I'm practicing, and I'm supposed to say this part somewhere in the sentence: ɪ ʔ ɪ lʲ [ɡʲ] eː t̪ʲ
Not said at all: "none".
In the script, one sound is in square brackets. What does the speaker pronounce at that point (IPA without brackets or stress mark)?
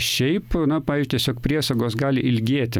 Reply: ɡʲ